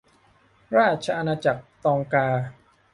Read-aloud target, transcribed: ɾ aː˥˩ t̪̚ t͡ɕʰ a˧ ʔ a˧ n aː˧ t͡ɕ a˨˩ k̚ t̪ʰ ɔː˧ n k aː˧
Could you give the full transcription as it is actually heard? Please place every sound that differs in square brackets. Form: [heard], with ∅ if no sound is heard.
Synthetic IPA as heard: ɾ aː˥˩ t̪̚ t͡ɕʰ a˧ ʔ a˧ n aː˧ t͡ɕ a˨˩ k̚ [t̪] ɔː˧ [ŋ] k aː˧